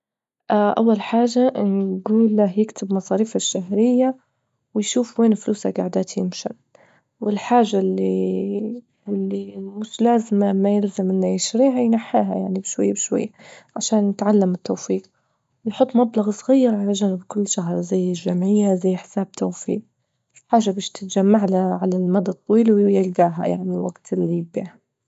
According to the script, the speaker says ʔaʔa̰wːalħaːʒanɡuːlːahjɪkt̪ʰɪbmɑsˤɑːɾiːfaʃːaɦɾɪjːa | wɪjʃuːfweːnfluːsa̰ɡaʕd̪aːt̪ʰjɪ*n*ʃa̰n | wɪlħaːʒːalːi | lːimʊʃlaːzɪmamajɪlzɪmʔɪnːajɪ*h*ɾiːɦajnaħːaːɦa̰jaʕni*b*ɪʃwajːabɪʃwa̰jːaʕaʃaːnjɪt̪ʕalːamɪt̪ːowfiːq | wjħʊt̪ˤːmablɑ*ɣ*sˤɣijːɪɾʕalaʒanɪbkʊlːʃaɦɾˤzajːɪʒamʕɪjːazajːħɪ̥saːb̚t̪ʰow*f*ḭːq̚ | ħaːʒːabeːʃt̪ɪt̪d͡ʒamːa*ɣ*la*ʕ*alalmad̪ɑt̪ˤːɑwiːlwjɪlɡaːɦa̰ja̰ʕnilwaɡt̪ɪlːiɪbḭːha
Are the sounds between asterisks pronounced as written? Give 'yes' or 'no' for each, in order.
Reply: no, no, yes, yes, yes, no, yes

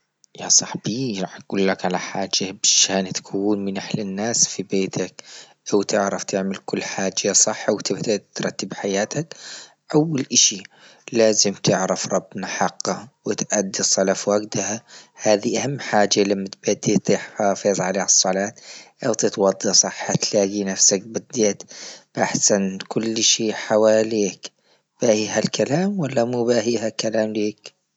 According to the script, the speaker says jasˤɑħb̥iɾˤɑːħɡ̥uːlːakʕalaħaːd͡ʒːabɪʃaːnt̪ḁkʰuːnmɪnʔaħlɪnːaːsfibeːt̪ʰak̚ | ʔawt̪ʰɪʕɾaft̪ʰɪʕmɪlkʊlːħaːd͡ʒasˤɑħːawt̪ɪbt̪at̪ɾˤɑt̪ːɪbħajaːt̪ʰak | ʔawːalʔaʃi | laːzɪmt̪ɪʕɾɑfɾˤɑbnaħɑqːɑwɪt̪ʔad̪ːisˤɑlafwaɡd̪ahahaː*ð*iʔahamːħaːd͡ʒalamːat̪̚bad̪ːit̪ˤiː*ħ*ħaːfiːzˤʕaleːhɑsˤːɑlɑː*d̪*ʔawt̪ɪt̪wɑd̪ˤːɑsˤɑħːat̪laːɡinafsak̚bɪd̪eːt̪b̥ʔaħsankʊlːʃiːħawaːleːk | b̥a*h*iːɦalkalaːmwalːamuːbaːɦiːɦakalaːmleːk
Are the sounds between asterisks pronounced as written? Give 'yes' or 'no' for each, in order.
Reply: yes, yes, no, yes

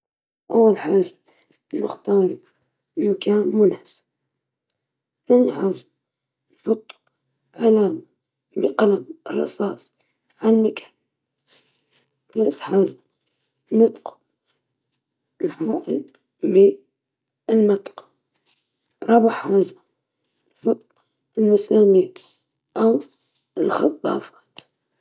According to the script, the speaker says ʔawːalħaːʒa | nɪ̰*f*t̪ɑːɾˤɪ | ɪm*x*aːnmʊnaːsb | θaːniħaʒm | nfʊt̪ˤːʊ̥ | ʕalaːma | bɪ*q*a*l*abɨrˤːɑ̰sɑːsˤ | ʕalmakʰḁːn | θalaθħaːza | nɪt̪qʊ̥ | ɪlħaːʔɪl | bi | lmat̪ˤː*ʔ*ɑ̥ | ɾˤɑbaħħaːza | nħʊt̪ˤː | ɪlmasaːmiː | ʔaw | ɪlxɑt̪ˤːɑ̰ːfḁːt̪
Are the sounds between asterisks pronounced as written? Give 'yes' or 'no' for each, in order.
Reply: no, no, yes, yes, no

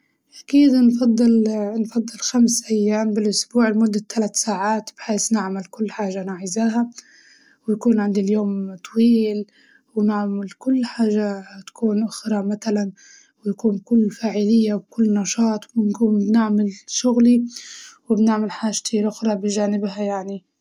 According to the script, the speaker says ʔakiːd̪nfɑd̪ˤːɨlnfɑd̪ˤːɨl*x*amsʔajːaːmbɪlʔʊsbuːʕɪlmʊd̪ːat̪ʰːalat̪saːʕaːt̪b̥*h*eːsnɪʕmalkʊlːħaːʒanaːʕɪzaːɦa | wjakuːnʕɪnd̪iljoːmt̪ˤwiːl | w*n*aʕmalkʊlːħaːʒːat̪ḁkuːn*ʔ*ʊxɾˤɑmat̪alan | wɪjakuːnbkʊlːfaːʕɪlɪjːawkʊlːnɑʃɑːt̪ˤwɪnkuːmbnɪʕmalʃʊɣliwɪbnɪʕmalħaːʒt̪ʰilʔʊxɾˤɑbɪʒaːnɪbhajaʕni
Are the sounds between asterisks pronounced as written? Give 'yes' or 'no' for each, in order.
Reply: yes, no, yes, yes

